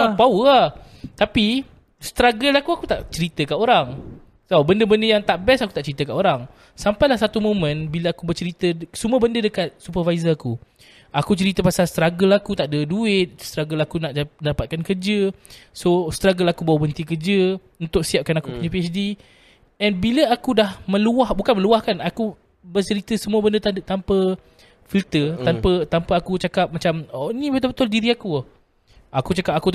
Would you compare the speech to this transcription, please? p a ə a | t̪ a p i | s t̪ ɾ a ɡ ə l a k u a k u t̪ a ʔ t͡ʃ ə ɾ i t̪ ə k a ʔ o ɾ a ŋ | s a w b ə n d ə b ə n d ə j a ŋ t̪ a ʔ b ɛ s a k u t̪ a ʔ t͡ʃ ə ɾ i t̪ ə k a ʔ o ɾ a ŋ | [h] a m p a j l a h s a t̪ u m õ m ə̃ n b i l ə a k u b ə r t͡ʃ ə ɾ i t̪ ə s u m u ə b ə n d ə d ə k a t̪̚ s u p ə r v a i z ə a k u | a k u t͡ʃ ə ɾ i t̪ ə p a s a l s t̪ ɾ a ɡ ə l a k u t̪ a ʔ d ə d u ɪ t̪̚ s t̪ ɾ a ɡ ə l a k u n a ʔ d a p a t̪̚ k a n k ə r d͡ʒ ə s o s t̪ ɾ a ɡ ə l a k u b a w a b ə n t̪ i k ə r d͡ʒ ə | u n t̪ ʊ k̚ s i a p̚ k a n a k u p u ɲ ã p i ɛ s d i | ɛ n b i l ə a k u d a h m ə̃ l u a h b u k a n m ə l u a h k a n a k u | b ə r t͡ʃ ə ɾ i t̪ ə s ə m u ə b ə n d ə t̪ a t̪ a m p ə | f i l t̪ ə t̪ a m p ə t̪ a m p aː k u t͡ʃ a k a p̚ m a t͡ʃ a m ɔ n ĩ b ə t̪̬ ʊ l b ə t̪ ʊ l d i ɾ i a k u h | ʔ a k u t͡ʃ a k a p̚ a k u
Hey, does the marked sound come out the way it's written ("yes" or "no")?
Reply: no